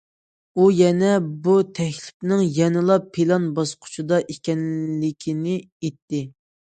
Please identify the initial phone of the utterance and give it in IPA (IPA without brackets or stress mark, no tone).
u